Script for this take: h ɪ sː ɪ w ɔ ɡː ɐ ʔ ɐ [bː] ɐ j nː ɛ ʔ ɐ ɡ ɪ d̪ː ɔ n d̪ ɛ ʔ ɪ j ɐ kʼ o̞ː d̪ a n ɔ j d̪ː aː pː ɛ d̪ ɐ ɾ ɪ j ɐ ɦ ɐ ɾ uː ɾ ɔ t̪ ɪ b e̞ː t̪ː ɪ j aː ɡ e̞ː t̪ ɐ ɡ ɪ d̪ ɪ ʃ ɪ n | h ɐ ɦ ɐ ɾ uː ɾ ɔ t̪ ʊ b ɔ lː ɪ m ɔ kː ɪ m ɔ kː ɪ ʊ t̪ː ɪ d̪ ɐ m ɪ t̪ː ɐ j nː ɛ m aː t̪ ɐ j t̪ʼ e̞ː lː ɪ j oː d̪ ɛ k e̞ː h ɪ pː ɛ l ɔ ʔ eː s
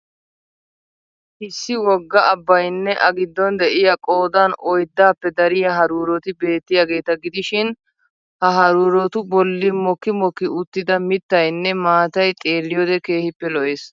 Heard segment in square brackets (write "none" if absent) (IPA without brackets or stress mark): bː